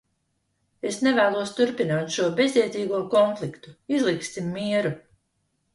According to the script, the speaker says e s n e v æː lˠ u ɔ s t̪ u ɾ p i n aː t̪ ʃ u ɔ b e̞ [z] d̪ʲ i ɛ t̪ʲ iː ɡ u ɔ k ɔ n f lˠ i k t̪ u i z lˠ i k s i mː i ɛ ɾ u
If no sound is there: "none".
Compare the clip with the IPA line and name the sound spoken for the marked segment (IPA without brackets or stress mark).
z